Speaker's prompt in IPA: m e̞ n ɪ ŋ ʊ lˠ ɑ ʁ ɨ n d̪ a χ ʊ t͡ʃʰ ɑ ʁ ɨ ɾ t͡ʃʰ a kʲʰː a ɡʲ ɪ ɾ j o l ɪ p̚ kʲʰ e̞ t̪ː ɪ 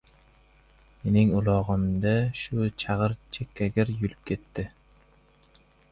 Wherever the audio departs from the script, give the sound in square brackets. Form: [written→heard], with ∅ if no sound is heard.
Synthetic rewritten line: m e̞ n ɪ ŋ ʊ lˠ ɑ ʁ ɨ [n→m] d̪ a [χ→ʃ] ʊ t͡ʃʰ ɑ ʁ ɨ ɾ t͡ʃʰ [a→e] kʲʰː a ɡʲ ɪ ɾ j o l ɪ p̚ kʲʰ e̞ t̪ː ɪ